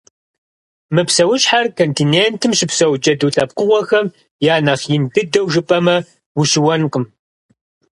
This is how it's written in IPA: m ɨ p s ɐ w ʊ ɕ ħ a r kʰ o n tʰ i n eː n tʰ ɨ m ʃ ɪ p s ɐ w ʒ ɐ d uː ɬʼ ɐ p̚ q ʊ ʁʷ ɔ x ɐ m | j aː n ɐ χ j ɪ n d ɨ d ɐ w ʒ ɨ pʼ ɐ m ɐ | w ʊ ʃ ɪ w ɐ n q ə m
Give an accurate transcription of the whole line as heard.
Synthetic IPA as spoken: m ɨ p s ɐ w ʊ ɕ ħ a r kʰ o n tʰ i n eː n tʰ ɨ m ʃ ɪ p s ɐ w d͡ʒ ɐ d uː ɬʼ ɐ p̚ q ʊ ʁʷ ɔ x ɐ m | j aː n ɐ χ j ɪ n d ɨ d ɐ w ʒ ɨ pʼ ɐ m ɐ | w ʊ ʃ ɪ w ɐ n q ə m